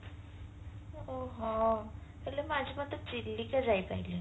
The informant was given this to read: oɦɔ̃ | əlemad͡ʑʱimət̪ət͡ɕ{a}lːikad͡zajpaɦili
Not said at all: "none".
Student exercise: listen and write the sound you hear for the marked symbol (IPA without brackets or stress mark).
i